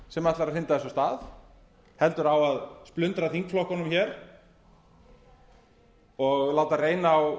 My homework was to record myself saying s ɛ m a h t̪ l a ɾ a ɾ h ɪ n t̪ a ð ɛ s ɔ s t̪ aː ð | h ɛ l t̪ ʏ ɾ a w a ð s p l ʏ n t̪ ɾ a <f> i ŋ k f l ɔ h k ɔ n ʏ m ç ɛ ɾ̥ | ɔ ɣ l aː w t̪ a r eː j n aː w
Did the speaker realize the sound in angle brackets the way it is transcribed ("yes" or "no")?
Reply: no